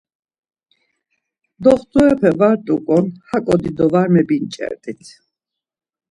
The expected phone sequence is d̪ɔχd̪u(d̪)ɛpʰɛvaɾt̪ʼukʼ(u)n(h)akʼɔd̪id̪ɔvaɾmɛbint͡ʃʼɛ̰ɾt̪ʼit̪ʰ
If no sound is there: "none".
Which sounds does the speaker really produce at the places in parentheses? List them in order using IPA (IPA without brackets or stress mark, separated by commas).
none, ɔ, h